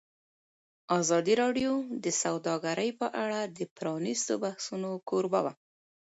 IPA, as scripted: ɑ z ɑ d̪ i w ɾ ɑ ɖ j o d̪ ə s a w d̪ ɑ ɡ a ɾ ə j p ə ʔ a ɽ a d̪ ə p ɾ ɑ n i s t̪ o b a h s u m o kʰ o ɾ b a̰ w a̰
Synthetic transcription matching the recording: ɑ z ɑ d̪ i ɾ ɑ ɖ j o d̪ ə s a w d̪ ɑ ɡ a ɾ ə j p ə ʔ a ɽ a d̪ ə p ɾ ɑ n i s t̪ o b a h s u n o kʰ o ɾ b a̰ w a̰